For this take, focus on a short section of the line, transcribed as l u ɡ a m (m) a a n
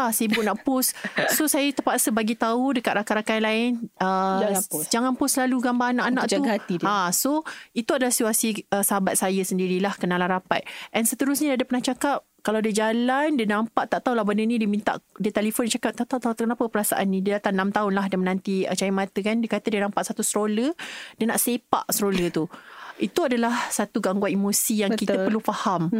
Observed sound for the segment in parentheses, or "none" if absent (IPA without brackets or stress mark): b